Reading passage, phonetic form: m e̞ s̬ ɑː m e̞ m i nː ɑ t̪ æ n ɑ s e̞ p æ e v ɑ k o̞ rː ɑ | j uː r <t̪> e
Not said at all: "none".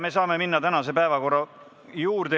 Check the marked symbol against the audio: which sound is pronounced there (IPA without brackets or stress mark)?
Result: d̪